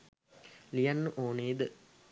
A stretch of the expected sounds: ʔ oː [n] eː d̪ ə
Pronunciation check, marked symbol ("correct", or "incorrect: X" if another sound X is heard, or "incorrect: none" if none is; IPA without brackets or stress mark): correct